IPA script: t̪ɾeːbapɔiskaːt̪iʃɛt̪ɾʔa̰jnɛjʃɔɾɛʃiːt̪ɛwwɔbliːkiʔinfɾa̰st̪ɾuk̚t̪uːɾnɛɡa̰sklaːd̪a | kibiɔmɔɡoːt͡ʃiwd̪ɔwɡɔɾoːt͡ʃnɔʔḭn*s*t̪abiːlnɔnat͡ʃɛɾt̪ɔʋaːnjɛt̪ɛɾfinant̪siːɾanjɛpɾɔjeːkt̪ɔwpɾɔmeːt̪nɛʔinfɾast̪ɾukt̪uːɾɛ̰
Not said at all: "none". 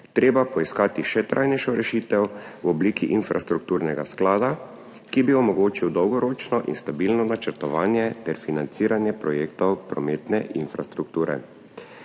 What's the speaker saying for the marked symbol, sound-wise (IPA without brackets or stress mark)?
s